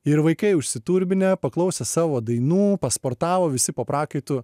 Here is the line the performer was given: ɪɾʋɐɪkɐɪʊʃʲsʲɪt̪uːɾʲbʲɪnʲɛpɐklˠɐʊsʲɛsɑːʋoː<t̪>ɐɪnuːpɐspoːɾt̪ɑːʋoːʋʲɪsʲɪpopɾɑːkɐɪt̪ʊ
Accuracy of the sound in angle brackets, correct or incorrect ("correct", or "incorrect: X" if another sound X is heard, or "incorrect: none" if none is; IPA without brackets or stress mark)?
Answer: incorrect: d̪